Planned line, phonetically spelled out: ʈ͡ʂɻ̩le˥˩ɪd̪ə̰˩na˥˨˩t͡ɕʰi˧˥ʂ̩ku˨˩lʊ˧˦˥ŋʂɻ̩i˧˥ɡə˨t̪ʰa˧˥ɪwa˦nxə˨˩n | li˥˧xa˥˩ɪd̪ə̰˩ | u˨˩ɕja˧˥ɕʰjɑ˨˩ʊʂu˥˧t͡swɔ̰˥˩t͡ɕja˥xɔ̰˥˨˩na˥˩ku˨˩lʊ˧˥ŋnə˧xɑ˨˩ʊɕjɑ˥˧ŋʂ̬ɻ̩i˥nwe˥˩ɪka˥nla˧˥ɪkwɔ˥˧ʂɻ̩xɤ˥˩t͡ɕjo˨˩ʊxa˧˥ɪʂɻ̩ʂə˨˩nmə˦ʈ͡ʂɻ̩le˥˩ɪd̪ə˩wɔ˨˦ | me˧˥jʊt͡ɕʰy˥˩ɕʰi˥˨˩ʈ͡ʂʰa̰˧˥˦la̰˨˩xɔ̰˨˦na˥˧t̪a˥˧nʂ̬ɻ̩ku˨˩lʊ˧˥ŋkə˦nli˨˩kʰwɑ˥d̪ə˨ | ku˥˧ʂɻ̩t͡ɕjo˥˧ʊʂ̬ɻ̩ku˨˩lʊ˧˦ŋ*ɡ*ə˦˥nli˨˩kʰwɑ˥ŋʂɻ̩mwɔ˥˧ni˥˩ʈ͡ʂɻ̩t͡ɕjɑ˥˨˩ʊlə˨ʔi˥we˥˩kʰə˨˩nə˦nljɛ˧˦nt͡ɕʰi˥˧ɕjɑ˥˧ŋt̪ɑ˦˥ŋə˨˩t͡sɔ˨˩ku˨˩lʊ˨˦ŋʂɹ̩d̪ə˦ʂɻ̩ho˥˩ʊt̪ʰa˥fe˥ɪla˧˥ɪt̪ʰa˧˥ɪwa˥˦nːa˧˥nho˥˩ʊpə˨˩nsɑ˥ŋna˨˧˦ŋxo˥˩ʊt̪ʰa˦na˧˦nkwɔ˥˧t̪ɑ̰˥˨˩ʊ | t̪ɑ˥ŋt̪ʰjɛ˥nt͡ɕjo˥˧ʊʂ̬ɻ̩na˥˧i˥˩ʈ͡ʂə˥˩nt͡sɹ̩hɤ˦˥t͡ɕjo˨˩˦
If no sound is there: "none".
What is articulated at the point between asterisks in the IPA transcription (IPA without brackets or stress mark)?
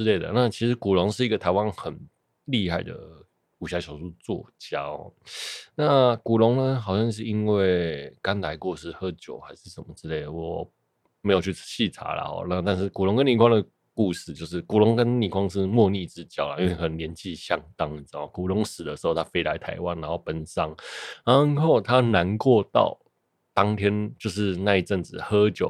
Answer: k